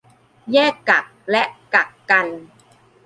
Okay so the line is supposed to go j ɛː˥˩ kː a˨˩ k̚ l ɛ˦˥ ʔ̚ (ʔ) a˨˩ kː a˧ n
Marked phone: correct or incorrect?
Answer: incorrect: k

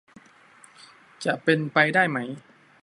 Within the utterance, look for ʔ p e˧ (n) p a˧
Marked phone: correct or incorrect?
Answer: correct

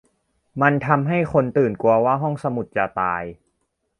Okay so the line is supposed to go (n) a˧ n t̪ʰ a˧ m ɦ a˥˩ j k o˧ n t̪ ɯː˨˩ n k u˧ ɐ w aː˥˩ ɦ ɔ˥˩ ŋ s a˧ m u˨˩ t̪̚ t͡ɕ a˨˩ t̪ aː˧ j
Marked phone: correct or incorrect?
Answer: incorrect: m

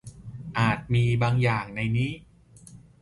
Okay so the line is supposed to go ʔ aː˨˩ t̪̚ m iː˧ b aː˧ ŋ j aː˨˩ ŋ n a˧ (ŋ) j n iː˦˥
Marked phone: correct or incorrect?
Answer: incorrect: none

